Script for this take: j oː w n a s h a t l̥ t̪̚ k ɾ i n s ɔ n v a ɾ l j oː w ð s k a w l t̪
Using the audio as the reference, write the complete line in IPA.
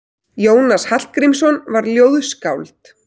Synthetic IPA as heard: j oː w n a s h a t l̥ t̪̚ k ɾ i m s ɔ n v a ɾ l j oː w ð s k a w l t̪